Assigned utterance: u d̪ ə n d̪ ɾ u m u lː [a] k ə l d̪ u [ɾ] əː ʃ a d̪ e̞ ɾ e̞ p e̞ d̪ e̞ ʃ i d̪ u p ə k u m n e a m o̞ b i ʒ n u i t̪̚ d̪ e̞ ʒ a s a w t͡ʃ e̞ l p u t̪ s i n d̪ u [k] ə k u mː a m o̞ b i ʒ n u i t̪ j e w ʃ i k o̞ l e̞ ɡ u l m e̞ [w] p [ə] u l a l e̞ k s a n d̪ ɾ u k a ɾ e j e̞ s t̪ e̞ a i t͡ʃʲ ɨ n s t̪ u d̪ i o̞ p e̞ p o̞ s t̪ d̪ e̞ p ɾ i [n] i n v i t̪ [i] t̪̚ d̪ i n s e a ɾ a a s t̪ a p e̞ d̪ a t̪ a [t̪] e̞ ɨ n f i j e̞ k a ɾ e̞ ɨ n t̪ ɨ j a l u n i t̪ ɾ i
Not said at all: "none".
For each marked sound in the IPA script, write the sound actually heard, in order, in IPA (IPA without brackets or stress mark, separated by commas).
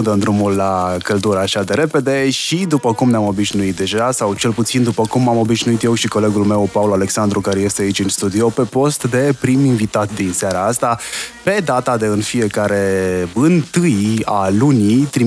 a, ɾ, p, w, a, m, a, d̪